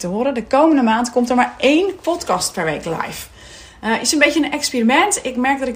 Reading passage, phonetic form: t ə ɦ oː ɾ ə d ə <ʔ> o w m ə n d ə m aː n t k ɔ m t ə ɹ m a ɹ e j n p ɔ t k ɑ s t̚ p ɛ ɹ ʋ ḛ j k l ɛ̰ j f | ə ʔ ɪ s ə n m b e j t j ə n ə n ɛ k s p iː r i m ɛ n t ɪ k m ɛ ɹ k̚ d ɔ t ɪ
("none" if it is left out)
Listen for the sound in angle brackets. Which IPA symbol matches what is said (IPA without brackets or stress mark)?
k